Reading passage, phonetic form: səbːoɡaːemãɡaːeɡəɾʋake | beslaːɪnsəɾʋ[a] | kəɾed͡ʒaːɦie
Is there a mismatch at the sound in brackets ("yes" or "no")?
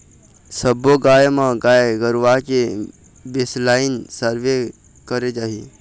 yes